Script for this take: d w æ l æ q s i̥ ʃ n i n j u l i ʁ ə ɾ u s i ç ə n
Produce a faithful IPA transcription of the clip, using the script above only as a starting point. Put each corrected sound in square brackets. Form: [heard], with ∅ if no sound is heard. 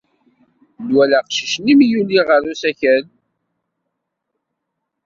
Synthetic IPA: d w æ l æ q [ʃ] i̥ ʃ n i [m] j u l i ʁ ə ɾ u s [æ] ç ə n